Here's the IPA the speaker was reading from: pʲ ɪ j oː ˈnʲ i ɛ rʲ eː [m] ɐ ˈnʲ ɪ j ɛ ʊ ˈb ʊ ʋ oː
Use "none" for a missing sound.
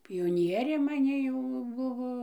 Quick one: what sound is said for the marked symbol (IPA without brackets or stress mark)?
m